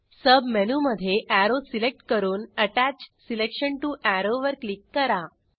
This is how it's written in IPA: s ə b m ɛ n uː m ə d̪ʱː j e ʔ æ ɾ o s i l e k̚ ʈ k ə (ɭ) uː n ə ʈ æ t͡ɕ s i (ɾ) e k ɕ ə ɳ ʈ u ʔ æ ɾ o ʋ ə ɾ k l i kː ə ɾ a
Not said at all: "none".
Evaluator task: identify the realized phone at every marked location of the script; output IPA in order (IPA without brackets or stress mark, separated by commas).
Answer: ɾ, l